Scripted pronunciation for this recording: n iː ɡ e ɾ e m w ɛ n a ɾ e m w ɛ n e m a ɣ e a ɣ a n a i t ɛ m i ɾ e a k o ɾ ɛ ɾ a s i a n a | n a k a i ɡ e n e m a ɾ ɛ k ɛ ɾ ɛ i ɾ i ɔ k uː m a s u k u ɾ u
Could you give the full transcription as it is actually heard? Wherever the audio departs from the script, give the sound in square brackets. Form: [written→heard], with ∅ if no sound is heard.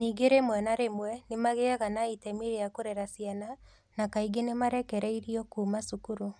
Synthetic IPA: n iː ɡ e ɾ e m w ɛ n a ɾ e m w ɛ n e m a ɣ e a ɣ a n a i t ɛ m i ɾ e a k o ɾ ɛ ɾ a s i a n a | n a k a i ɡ e n e m a ɾ ɛ k ɛ ɾ ɛ i ɾ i ɔ k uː m a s u k u ɾ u